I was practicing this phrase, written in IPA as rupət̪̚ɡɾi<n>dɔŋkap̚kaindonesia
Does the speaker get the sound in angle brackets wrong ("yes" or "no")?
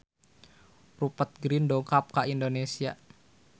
no